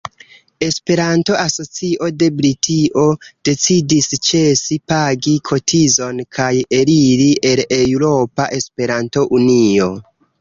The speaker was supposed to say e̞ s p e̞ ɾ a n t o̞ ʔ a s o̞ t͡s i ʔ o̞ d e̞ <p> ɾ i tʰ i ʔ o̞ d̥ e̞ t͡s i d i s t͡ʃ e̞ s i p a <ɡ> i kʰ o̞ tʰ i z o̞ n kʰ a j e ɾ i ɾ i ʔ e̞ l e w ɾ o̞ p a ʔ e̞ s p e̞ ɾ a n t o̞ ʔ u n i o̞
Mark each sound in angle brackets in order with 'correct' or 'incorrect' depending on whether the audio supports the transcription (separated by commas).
incorrect, correct